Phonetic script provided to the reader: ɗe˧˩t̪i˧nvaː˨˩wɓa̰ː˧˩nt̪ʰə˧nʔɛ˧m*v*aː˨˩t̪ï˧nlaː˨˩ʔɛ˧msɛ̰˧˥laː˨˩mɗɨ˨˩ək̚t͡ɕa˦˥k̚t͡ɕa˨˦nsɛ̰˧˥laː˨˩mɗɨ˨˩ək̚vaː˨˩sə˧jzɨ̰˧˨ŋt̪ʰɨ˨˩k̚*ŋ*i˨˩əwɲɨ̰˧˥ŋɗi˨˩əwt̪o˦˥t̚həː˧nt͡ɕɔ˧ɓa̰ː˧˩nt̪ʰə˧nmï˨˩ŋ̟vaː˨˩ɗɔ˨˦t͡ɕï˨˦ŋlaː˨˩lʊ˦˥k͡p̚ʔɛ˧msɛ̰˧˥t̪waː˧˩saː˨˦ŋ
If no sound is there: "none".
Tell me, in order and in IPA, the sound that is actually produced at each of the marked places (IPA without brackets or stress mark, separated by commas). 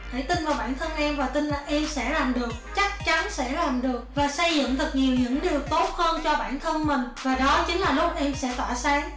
v, ɲ